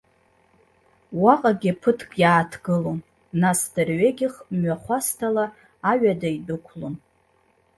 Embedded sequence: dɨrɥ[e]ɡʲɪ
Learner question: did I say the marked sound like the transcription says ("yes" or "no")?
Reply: yes